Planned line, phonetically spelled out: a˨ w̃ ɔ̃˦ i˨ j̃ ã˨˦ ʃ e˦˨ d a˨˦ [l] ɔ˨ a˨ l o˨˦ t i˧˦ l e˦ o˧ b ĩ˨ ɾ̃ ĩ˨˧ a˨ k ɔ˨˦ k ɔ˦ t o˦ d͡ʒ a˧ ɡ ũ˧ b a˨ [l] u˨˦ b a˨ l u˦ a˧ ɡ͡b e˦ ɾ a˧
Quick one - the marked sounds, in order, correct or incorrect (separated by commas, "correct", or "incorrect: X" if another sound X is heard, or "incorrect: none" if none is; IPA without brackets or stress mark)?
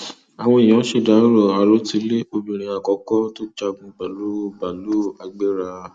incorrect: ɾ, correct